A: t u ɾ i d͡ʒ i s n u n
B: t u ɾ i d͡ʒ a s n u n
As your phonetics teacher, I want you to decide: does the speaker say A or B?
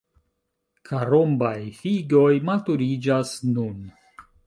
B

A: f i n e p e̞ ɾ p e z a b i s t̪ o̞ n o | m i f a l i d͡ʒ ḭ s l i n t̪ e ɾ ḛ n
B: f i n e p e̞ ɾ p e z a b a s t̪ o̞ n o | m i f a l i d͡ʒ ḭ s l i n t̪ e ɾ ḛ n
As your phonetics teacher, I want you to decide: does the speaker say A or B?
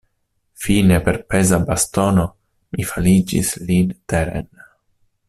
B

